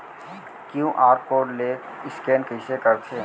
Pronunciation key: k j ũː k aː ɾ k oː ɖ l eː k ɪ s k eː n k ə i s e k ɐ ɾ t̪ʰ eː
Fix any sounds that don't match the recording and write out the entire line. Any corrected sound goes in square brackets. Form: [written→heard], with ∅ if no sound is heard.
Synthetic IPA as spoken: k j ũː [k→ʔ] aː ɾ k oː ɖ l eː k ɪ s k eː n k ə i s e k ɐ ɾ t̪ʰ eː

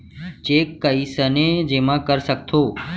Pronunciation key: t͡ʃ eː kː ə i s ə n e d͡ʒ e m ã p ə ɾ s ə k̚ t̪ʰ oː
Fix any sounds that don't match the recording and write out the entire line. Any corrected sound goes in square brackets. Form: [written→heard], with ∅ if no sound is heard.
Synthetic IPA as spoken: t͡ʃ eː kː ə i s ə n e d͡ʒ e m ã [p→k] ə ɾ s ə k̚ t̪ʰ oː

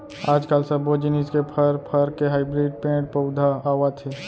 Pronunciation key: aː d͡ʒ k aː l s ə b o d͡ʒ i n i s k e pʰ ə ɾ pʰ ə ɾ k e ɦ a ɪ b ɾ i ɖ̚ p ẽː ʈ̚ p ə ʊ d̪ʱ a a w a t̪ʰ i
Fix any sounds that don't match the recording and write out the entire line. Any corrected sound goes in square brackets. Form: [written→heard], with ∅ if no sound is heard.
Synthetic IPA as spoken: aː d͡ʒ k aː l s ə b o d͡ʒ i n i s k e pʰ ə ɾ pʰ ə ɾ k e ɦ a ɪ b ɾ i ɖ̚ p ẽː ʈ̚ p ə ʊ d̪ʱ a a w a t̪ʰ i

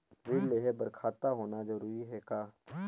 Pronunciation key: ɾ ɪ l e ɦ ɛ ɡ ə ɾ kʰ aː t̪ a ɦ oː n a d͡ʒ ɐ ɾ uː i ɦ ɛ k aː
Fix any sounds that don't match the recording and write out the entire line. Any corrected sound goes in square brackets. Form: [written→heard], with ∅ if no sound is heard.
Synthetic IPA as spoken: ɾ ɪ l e ɦ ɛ [ɡ→b] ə ɾ kʰ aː t̪ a ɦ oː n a d͡ʒ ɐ ɾ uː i ɦ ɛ k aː

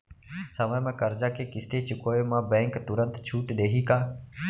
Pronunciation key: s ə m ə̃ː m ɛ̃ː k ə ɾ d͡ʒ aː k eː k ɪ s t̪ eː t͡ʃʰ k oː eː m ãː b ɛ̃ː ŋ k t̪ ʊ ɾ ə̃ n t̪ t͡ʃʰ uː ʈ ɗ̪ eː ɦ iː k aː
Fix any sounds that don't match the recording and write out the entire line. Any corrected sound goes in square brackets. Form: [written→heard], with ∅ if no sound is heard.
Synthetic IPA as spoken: s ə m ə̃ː m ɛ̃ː k ə ɾ d͡ʒ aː k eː k ɪ s t̪ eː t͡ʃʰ k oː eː m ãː b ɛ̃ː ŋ k t̪ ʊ ɾ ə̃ n t̪ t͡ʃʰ uː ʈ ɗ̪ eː ɦ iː k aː

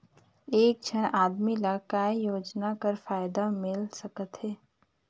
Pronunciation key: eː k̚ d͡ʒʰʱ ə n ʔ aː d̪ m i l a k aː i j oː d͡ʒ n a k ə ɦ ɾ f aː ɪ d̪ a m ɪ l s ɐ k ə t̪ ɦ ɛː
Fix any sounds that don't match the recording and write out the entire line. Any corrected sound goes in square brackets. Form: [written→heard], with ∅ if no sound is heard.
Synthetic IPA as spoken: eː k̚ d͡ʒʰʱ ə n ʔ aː d̪ m i l a k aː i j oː d͡ʒ n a k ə [ɦ→∅] ɾ f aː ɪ d̪ a m ɪ l s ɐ k ə t̪ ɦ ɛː

